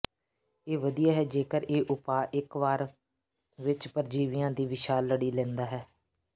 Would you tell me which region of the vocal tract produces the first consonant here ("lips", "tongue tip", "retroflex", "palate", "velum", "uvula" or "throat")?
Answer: lips